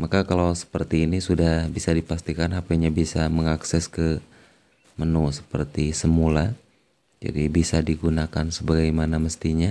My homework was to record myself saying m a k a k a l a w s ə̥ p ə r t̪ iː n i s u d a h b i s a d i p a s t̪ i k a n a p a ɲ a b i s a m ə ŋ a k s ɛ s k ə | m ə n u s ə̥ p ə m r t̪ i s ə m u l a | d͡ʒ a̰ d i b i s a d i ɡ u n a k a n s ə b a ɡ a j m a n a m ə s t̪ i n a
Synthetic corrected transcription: m a k a k a l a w s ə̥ p ə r t̪ iː n i s u d a h b i s a d i p a s t̪ i k a n a p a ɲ a b i s a m ə ŋ a k s ɛ s k ə | m ə n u s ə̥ p ə r t̪ i s ə m u l a | d͡ʒ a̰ d i b i s a d i ɡ u n a k a n s ə b a ɡ a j m a n a m ə s t̪ i ɲ a